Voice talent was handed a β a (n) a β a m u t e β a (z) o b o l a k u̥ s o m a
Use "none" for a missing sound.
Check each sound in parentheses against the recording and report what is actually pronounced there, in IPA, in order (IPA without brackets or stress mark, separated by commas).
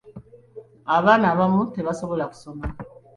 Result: n, s